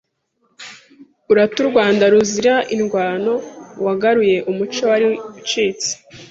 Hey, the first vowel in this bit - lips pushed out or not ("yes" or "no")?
yes